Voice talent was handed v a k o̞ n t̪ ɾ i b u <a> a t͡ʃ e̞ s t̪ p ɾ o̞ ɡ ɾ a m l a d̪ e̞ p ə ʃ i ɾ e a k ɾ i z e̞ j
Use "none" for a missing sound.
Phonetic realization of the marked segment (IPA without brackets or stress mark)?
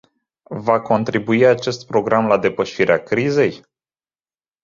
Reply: i